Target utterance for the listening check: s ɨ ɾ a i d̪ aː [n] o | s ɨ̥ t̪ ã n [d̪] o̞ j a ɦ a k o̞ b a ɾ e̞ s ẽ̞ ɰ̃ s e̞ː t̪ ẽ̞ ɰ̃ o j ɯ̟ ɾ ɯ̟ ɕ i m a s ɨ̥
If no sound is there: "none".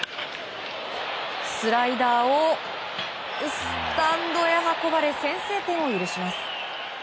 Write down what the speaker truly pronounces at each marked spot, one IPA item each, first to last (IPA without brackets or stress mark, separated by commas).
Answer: none, d̪